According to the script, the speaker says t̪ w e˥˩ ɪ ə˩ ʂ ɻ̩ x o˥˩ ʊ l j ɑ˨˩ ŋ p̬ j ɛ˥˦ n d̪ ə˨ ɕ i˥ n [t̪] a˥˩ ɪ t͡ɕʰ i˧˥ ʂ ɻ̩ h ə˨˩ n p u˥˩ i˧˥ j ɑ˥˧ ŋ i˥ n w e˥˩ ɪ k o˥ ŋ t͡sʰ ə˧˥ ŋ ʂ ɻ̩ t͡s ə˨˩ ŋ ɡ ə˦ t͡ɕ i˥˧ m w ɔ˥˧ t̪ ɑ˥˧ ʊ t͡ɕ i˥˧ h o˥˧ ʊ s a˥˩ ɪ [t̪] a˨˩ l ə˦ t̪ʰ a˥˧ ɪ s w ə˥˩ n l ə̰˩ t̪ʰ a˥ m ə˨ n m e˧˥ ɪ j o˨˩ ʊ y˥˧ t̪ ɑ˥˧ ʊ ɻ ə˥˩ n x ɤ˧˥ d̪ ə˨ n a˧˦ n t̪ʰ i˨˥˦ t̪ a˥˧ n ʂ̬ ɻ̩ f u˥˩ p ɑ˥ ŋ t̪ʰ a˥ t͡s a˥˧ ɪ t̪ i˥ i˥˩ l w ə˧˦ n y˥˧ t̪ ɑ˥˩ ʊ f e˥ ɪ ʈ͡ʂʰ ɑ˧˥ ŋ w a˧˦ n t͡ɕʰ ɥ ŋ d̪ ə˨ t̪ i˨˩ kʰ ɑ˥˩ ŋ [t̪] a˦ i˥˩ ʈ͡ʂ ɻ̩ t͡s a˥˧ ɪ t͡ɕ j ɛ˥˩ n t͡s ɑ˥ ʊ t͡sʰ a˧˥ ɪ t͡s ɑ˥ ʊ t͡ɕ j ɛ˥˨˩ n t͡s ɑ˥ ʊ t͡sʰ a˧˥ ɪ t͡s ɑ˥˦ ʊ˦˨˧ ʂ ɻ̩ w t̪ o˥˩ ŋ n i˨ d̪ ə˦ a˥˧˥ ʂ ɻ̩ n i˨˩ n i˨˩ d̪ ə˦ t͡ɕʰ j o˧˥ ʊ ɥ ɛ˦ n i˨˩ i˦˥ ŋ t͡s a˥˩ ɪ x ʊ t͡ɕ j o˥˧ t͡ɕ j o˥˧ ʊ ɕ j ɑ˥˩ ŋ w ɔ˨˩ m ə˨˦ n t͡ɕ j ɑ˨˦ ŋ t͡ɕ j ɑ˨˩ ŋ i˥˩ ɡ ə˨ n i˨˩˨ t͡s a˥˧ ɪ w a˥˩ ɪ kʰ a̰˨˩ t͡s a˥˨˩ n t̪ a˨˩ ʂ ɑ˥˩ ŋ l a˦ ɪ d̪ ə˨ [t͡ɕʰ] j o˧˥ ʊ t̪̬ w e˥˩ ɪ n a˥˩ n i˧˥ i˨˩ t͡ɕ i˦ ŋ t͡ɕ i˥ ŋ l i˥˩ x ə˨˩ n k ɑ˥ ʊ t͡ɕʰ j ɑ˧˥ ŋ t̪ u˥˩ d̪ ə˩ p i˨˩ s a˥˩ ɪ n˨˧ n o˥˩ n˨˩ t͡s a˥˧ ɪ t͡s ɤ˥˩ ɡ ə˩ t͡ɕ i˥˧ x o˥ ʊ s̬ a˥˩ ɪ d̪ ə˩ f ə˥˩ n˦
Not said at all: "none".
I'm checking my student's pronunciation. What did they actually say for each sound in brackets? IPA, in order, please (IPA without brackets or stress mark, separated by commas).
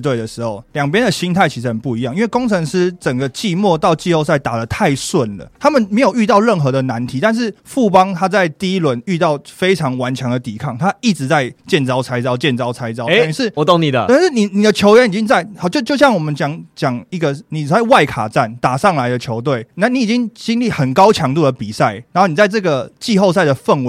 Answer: t̪ʰ, t̪, t̪ʰ, t͡ɕʰ